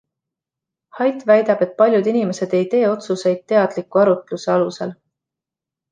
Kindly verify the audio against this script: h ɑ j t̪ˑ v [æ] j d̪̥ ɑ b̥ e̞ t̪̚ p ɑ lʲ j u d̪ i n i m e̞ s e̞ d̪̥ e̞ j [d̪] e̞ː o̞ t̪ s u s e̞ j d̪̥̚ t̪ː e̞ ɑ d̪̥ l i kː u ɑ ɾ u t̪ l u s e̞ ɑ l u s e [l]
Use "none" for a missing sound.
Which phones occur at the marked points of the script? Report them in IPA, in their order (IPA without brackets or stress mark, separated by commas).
æ, t̪, l